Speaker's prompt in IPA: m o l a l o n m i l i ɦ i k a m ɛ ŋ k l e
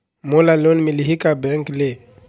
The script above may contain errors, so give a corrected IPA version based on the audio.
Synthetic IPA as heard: m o l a l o n m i l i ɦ i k a b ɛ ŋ k l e